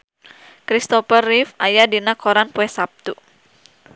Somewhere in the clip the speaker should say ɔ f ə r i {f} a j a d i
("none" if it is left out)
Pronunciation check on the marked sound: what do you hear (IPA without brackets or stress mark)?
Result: f